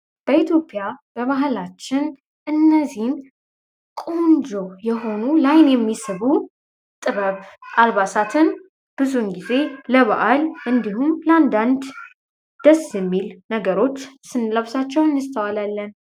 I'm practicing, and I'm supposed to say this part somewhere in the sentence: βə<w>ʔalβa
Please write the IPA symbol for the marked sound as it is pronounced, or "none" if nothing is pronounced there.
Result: β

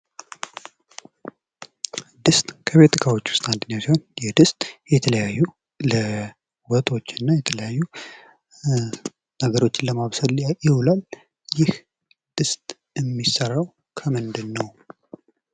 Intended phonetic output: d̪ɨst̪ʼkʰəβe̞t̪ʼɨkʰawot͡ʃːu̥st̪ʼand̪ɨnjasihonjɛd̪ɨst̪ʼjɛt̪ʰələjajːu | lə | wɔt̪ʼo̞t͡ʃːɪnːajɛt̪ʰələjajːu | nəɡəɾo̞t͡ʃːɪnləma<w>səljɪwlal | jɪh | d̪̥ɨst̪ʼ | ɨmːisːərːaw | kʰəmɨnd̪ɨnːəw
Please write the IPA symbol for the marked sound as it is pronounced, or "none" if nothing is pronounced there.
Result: β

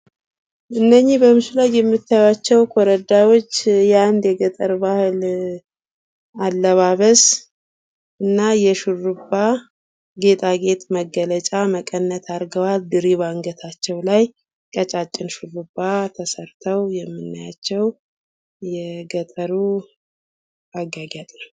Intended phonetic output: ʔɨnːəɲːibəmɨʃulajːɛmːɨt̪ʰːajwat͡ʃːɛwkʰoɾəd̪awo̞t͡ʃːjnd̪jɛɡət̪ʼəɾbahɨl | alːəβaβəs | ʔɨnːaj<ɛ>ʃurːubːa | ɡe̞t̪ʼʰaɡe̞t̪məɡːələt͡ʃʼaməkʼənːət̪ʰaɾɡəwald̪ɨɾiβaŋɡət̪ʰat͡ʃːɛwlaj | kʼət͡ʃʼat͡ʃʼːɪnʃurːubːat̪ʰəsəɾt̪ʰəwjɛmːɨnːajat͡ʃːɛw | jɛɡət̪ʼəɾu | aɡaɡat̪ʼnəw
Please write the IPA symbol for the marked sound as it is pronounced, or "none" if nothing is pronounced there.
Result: ɛ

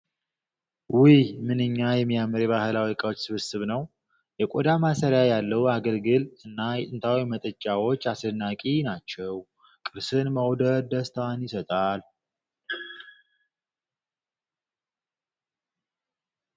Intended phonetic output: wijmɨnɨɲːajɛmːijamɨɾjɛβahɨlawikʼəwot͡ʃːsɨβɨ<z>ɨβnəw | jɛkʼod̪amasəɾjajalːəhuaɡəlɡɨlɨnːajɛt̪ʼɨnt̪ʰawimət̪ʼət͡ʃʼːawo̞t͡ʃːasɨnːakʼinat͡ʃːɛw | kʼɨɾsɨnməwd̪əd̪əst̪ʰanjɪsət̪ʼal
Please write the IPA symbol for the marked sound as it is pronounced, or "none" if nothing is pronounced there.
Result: s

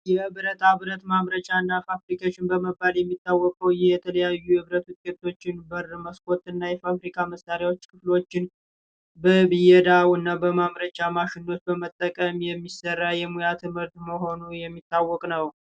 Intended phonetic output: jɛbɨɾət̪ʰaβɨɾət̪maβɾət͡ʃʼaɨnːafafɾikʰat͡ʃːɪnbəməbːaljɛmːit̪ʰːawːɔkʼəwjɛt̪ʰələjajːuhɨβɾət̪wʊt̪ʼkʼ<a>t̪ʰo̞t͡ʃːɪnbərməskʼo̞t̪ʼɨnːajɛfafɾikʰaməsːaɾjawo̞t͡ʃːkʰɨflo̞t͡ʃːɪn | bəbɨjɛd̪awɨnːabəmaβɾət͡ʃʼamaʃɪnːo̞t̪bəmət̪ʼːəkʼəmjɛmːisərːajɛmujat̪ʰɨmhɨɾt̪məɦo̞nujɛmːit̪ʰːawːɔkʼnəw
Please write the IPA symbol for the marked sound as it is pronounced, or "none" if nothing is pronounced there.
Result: e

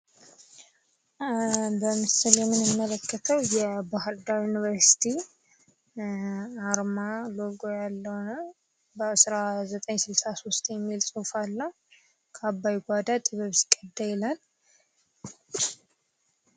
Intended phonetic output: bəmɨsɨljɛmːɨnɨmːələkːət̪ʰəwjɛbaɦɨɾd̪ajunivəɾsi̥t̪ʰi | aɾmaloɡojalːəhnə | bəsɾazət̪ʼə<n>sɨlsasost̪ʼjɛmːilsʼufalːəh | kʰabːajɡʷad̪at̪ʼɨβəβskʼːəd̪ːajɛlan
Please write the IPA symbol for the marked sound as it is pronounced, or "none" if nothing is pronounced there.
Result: ɲ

